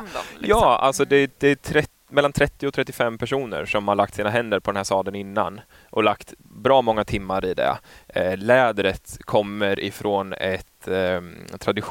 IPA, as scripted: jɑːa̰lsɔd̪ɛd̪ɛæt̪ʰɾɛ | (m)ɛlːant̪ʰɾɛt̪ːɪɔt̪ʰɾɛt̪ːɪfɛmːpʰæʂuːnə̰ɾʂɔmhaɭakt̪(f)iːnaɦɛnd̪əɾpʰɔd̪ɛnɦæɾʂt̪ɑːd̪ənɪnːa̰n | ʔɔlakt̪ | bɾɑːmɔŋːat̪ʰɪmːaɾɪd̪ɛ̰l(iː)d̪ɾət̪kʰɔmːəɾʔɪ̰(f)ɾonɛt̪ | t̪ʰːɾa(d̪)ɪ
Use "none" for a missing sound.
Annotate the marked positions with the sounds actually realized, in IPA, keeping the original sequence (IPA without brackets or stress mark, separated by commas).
m, s, ɛː, f, d̪